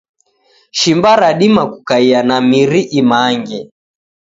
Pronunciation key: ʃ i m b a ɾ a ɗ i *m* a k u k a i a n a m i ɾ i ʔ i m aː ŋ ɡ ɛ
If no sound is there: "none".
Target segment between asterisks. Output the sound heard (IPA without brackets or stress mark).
m